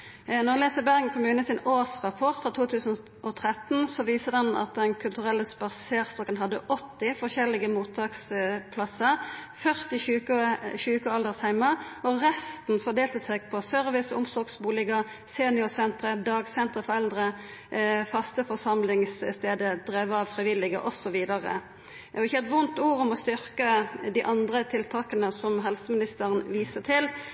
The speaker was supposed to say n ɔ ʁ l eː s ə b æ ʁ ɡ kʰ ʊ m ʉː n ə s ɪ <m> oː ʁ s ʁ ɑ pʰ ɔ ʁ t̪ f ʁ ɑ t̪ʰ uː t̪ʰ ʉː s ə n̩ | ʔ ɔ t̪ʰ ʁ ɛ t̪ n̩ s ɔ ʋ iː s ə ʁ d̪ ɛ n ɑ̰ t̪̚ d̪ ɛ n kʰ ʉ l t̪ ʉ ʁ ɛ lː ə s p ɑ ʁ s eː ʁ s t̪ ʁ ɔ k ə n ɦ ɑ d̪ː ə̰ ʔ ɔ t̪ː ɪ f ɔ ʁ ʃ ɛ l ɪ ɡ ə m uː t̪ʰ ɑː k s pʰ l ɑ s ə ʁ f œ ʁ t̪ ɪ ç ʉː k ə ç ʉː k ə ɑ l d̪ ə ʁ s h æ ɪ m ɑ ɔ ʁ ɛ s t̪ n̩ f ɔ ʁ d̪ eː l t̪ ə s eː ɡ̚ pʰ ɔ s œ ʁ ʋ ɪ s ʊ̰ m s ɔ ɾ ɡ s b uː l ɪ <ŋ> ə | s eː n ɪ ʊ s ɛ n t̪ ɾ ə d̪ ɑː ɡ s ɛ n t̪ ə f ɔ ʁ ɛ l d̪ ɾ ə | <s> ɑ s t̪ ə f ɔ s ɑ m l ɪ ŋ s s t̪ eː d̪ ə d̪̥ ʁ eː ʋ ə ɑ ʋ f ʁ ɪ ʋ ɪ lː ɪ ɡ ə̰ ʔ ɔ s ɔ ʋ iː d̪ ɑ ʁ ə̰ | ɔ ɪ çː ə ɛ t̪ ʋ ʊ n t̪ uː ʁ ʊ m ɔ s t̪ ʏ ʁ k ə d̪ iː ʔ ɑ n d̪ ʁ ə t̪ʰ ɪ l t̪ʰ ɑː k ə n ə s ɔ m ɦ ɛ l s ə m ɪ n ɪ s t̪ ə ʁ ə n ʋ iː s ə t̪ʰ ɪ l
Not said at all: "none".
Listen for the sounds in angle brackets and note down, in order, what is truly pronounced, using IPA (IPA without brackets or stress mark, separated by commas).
n, ɡ, f